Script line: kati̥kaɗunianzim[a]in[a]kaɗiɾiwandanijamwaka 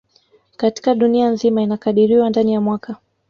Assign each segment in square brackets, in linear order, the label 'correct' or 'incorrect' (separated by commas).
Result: correct, correct